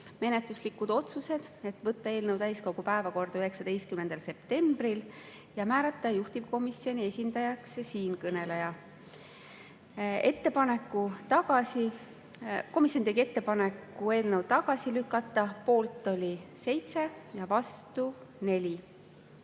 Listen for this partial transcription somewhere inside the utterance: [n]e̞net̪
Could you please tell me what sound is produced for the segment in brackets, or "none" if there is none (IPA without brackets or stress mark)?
m